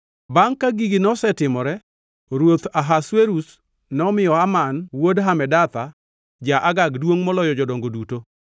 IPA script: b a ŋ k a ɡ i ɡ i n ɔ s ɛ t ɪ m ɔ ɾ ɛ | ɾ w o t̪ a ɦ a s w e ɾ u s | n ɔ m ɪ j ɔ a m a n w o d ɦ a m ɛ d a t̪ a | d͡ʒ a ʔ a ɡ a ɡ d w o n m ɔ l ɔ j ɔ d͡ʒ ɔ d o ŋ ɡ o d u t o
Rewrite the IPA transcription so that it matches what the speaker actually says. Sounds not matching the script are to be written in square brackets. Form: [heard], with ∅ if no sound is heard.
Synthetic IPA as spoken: b a ŋ k a ɡ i ɡ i n ɔ s ɛ t ɪ m ɔ ɾ ɛ | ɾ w o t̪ a ɦ a s w e ɾ u s | n ɔ m ɪ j ɔ a m a n w o d ɦ a m ɛ d a t̪ a | d͡ʒ a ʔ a ɡ a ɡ d w o [ŋ] m ɔ l ɔ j ɔ d͡ʒ ɔ d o ŋ ɡ o d u t o

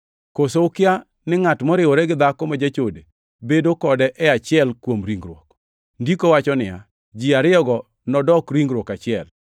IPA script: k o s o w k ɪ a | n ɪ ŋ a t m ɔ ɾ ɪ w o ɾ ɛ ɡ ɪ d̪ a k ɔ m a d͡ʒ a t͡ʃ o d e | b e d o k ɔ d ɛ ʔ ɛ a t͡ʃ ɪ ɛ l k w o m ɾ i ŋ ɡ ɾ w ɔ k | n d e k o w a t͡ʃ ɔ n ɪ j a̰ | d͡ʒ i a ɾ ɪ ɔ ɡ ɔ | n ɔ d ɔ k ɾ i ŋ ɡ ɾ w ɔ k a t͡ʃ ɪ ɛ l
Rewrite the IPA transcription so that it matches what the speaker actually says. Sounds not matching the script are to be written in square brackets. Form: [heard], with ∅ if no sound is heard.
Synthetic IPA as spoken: k o s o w k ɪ a | n ɪ ŋ a t m ɔ ɾ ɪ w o ɾ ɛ ɡ ɪ d̪ a k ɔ m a d͡ʒ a t͡ʃ o d e | b e d o k ɔ d ɛ ʔ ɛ a t͡ʃ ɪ ɛ l k w o m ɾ i ŋ ɡ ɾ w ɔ k | n d [i] k o w a t͡ʃ ɔ n ɪ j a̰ | d͡ʒ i a ɾ ɪ ɔ ɡ ɔ | n ɔ d ɔ k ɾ i ŋ ɡ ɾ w ɔ k a t͡ʃ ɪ ɛ l

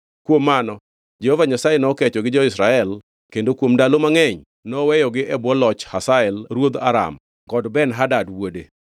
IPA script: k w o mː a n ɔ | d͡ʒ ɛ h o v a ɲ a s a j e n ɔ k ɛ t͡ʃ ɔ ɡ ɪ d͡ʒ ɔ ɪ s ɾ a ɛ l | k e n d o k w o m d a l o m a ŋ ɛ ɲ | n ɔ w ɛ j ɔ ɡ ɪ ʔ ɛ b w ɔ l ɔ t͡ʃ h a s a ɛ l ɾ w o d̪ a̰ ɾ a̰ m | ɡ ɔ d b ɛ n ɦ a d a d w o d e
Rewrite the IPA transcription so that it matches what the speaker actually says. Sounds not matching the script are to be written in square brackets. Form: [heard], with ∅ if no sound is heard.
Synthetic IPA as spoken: k w o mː a n ɔ | d͡ʒ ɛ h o v a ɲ a s a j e n ɔ k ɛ t͡ʃ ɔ ɡ ɪ d͡ʒ ɔ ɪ s ɾ a ɛ l | k e n d o k w o m d a l o m a ŋ ɛ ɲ | n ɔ w ɛ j ɔ ɡ ɪ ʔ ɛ b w ɔ l ɔ t͡ʃ h a s a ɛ l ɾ w o d̪ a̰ ɾ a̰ m | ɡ ɔ d b ɛ n ɦ a d a d w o d e

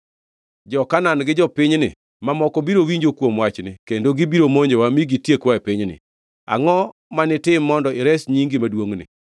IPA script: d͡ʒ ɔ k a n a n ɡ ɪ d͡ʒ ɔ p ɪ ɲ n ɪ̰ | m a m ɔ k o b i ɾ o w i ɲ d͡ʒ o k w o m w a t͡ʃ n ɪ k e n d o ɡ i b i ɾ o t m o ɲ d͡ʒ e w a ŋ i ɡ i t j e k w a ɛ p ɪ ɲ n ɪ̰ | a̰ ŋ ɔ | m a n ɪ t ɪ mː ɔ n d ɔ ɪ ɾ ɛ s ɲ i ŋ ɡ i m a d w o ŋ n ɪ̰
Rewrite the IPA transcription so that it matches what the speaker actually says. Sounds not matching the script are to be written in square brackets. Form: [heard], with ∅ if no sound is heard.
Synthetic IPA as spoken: d͡ʒ ɔ k a n a n ɡ ɪ d͡ʒ ɔ p ɪ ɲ n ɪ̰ | m a m ɔ k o b i ɾ o w i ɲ d͡ʒ o k w o m w a t͡ʃ n ɪ k e n d o ɡ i b i ɾ o [∅] m o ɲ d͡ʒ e w a [m] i ɡ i t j e k w a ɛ p ɪ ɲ n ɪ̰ | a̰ ŋ ɔ | m a n ɪ t ɪ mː ɔ n d ɔ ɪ ɾ ɛ s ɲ i ŋ ɡ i m a d w o ŋ n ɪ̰

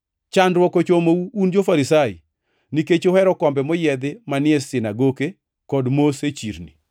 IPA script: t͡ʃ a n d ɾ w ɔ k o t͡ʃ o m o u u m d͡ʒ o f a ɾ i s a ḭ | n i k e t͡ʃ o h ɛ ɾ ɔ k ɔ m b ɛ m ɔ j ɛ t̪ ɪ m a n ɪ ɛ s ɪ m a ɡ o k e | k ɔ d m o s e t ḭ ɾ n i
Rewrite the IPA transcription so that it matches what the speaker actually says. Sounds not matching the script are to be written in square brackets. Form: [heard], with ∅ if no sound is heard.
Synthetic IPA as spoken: t͡ʃ a n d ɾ w ɔ k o t͡ʃ o m o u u [n] d͡ʒ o f a ɾ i s a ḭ | n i k e t͡ʃ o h ɛ ɾ ɔ k ɔ m b ɛ m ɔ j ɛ [d̪] ɪ m a n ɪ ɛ s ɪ [n] a ɡ o k e | k ɔ d m o s e [t͡ʃ] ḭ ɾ n i

